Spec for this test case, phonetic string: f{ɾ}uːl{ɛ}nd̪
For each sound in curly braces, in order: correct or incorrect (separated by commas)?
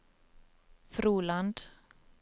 correct, incorrect